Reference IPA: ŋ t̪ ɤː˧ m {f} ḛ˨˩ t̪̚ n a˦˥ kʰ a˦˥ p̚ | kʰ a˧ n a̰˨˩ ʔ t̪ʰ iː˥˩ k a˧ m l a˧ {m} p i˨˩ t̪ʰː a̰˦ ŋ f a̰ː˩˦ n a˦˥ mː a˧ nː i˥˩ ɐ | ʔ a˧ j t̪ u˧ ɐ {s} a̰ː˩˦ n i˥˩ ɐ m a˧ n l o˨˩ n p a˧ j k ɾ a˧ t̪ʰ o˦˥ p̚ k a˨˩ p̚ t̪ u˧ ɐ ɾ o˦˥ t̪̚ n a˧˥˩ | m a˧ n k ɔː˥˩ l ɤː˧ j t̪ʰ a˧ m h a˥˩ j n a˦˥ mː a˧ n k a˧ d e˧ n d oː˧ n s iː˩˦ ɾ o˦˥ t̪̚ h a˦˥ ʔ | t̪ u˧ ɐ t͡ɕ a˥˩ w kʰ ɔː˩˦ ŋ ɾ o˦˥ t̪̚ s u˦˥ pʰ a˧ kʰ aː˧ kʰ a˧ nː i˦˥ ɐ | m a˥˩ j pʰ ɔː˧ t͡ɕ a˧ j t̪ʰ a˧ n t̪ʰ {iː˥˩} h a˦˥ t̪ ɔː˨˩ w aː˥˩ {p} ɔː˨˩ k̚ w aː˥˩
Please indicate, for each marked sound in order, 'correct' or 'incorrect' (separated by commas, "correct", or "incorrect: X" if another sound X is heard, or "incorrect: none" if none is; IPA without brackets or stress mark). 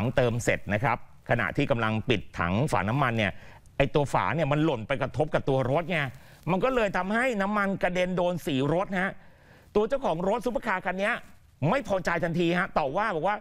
incorrect: s, incorrect: ŋ, incorrect: f, incorrect: iː˧, incorrect: b